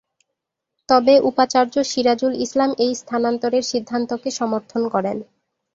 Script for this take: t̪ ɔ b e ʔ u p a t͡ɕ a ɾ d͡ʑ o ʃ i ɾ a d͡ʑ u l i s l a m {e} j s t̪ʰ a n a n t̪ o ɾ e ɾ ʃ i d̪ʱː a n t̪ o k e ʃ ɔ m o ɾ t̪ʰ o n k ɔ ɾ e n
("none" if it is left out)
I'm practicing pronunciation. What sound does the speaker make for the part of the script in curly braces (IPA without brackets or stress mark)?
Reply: e